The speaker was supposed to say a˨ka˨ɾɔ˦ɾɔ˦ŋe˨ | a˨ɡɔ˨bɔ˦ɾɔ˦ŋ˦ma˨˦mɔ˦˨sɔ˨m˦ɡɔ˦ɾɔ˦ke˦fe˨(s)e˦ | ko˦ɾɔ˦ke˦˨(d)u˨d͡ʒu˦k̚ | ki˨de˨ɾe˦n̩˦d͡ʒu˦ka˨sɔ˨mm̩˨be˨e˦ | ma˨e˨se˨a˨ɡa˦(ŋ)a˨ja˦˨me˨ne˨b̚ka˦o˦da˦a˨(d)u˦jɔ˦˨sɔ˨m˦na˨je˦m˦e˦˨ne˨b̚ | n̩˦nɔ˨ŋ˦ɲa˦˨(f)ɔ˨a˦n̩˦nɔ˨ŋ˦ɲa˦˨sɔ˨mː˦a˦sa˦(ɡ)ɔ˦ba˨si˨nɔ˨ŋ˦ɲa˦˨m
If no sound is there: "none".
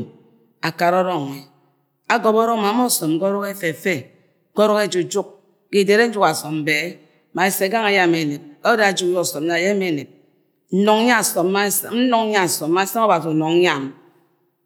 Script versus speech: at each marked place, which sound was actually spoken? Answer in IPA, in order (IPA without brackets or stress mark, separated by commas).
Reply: f, d͡ʒ, ŋ, d͡ʒ, s, ŋ